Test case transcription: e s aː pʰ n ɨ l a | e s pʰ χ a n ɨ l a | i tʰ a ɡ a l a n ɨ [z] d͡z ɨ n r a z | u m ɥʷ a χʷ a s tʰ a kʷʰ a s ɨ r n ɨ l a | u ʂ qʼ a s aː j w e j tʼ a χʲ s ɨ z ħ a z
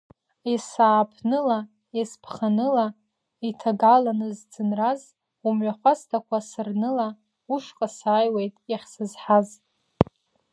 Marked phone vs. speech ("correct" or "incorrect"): correct